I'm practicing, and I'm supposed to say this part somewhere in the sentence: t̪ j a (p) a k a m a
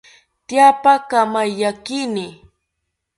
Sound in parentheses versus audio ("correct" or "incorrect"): correct